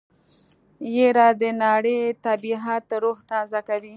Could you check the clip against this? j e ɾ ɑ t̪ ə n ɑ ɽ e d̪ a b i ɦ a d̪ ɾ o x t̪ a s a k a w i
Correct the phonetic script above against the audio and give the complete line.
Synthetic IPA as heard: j e ɾ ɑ d̪ ə n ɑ ɽ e t̪ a b i ɦ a t̪ ɾ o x t̪ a z a k a w i

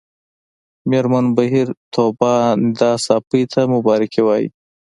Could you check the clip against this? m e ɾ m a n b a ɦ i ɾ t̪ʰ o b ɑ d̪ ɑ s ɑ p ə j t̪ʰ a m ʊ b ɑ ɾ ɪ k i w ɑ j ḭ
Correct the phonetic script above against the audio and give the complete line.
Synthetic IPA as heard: m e ɾ m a n b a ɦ i ɾ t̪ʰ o b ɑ d̪ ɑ s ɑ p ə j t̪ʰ a m ʊ b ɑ ɾ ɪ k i w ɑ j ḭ

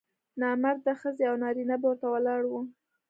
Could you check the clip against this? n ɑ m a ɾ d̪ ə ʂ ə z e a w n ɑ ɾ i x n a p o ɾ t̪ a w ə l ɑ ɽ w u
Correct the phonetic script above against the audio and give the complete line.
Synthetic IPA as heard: n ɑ m a ɾ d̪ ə x ə z e a w n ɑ ɾ i n a b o ɾ t̪ a w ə l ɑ ɽ w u

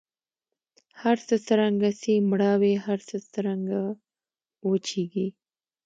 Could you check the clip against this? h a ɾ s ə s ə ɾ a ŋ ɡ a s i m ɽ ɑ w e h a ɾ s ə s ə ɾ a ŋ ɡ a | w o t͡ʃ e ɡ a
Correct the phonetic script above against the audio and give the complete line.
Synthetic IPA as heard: h a ɾ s ə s ə ɾ a ŋ ɡ a s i m ɽ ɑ w e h a ɾ s ə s ə ɾ a ŋ ɡ a | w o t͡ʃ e ɡ i

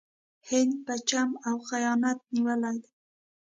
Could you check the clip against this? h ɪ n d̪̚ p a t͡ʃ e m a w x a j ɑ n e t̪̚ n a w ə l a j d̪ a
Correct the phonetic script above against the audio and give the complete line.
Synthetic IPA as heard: h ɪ n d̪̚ p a t͡ʃ a m a w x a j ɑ n a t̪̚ n i w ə l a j d̪ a

